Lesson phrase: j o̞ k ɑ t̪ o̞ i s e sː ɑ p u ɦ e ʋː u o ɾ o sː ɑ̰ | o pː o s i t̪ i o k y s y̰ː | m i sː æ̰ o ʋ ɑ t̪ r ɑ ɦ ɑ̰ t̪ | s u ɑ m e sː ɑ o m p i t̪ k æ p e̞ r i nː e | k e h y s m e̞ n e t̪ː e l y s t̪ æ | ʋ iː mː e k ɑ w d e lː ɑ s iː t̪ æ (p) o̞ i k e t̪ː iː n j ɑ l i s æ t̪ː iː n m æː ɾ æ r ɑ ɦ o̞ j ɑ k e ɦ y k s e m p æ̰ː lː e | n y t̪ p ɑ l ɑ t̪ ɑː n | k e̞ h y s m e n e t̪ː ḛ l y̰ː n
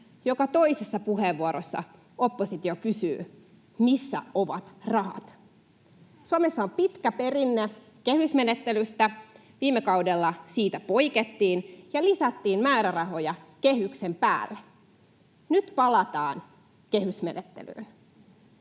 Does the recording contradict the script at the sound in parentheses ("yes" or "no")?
no